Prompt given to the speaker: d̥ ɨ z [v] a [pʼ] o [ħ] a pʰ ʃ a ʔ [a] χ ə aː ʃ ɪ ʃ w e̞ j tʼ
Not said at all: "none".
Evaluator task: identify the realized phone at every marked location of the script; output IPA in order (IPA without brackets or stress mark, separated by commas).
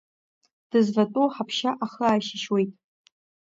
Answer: v, tʼ, ħ, a